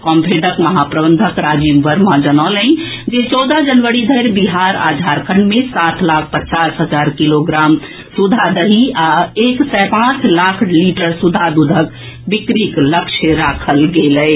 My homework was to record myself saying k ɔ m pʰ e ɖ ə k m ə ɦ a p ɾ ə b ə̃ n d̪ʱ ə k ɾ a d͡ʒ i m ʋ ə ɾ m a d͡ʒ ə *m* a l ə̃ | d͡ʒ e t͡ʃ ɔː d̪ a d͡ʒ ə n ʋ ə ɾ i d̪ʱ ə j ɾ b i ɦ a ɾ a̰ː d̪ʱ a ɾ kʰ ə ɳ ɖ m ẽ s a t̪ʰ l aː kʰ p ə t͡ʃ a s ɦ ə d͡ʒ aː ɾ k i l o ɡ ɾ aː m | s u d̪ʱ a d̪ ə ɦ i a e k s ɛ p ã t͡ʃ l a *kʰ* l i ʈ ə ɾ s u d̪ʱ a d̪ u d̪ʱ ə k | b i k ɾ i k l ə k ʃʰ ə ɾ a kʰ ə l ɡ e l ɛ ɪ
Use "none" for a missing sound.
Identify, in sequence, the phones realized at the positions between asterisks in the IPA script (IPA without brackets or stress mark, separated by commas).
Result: n, kʰ